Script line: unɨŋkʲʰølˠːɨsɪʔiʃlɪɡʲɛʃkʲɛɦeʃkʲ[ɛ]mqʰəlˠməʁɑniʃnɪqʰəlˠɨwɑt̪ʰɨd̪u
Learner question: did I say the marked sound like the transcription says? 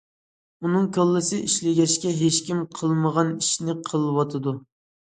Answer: no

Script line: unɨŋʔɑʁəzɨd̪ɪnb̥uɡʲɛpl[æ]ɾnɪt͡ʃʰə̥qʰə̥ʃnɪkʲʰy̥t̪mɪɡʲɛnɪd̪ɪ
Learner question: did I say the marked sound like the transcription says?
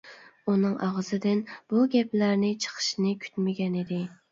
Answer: yes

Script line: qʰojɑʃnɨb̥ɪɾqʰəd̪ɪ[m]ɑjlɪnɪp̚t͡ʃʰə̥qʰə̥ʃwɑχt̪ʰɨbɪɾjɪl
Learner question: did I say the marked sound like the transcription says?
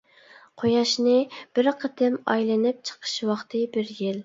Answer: yes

